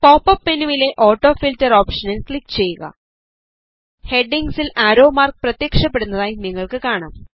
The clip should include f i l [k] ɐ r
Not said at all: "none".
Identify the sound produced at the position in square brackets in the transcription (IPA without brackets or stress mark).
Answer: t